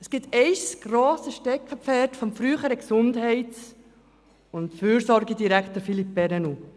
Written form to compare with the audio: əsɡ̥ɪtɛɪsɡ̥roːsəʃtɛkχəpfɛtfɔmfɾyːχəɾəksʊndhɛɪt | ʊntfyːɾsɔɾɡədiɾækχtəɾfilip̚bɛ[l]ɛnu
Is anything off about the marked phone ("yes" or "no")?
yes